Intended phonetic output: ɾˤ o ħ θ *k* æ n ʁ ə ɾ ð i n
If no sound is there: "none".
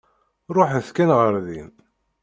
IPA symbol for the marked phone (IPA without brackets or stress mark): k